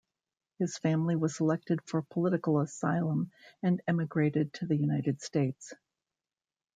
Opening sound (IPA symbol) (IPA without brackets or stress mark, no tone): h